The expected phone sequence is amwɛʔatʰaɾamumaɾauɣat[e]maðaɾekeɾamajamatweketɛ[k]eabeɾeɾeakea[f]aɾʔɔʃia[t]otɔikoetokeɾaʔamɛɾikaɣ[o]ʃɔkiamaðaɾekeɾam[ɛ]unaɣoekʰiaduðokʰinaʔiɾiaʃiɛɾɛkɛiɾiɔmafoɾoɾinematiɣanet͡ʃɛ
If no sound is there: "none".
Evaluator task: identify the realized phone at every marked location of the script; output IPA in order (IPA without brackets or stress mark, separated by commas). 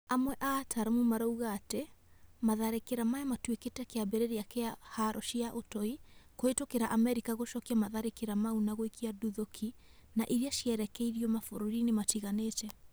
e, k, h, ʔ, o, a